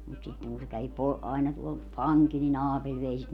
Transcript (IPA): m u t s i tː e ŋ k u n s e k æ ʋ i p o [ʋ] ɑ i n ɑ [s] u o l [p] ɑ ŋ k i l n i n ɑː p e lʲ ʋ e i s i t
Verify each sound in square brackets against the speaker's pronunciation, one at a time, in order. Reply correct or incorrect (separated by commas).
incorrect, incorrect, correct